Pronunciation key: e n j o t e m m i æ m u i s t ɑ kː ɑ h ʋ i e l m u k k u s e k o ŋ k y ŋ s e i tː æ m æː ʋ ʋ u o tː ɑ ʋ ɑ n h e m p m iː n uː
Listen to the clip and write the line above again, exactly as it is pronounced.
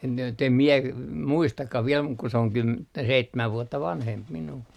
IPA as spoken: e n j o t e m m i e m u i s t ɑ kː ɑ h ʋ i e l m u k k u s e o ŋ k y m s e i tː æ m æ ʋ ʋ u o tː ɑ ʋ ɑ n h e m p m i n uː